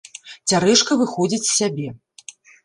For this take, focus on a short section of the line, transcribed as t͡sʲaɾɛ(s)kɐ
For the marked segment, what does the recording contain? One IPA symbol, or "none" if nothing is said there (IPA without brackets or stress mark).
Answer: ʂ